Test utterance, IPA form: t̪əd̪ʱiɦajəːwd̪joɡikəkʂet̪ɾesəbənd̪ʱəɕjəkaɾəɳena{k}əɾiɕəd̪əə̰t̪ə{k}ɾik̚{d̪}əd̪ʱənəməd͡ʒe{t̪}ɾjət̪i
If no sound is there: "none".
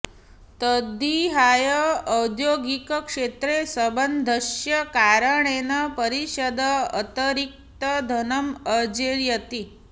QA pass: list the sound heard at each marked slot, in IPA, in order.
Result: p, none, t̪, none

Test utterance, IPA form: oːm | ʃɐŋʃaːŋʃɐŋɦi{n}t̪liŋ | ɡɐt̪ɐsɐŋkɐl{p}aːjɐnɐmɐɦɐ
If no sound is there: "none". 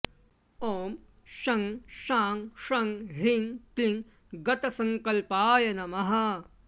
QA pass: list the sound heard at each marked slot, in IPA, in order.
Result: ŋ, p

